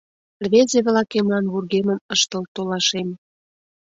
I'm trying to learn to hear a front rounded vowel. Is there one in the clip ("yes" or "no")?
no